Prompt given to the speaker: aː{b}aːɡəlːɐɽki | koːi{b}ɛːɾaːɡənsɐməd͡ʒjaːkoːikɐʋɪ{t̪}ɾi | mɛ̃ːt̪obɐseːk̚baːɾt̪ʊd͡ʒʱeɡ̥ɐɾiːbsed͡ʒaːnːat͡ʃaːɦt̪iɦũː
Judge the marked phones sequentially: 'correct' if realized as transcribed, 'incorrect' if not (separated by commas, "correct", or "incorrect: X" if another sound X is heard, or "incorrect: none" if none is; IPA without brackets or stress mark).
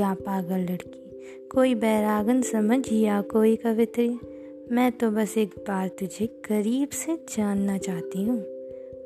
incorrect: p, correct, correct